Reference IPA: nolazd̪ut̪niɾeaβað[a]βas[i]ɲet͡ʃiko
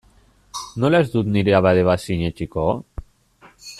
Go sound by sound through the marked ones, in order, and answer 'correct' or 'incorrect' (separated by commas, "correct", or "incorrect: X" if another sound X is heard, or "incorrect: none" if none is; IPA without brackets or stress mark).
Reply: incorrect: e, correct